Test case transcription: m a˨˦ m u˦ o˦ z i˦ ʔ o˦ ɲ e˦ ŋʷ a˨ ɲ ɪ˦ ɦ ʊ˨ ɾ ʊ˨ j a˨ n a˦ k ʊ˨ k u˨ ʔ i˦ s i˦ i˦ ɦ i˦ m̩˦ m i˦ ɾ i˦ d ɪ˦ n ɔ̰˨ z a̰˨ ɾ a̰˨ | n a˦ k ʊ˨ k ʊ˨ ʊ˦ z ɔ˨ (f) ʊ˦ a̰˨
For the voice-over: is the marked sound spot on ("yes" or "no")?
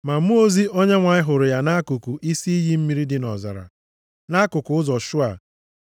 no